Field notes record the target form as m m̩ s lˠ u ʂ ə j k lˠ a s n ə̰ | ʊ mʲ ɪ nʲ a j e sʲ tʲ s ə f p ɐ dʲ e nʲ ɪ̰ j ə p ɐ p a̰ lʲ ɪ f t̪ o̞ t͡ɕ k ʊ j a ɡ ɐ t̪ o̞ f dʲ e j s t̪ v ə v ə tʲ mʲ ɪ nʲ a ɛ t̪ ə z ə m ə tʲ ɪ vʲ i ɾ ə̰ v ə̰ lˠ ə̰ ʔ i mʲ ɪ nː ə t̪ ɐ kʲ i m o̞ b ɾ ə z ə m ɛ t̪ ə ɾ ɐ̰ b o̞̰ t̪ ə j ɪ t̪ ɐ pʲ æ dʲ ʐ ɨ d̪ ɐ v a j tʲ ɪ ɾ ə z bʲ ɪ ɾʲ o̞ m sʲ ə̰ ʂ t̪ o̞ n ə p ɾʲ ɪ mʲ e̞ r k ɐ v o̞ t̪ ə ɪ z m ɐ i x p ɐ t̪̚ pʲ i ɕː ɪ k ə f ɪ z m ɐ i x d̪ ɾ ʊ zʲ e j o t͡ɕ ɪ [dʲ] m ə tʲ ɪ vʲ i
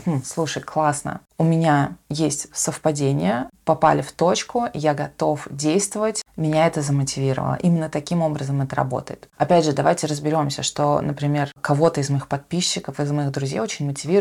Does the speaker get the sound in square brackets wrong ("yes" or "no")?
yes